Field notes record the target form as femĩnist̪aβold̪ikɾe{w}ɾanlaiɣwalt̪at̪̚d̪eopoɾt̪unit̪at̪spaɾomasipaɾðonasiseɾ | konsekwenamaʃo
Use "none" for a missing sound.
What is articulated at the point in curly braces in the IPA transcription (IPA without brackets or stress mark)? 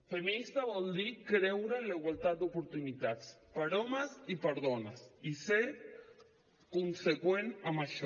w